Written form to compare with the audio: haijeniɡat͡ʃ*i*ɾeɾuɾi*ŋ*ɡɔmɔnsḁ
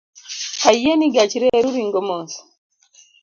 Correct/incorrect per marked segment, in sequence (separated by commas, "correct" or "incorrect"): correct, correct